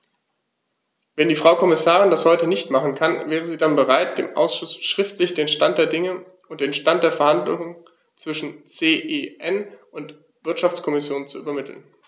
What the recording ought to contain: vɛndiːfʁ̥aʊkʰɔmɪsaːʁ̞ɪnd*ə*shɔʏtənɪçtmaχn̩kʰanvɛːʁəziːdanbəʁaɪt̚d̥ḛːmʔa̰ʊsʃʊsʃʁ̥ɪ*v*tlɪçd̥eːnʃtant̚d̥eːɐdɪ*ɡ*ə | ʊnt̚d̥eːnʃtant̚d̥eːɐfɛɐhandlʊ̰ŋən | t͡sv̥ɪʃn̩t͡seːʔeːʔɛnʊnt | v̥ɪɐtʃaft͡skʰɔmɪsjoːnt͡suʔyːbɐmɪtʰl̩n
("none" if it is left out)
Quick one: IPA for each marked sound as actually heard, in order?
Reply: a, f, ŋ

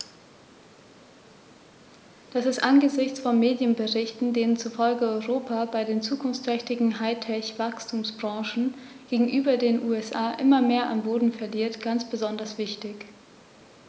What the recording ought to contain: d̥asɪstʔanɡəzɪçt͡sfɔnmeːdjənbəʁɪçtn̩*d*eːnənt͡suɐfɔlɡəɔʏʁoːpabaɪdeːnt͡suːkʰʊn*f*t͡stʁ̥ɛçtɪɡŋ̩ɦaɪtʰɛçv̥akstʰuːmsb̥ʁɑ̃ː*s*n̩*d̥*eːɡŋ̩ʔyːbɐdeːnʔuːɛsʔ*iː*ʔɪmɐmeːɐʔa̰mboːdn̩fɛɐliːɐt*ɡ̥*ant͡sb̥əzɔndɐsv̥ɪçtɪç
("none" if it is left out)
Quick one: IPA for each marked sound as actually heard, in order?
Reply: d, f, ʃ, ɡ̥, aː, ɡ̥

